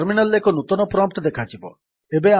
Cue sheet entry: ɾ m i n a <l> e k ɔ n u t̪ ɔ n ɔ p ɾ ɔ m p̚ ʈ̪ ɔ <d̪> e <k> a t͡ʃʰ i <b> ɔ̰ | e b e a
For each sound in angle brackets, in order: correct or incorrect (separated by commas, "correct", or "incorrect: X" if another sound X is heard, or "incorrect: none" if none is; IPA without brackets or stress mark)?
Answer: correct, correct, incorrect: kʰ, correct